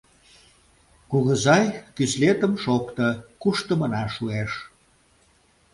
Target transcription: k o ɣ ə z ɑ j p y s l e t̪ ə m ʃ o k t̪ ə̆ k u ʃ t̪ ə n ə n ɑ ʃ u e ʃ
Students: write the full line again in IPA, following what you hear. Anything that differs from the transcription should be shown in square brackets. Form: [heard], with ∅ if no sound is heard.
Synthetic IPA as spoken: k [u] ɣ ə z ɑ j [k] y s l e t̪ ə m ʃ o k t̪ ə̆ k u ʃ t̪ ə [m] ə n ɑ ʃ u e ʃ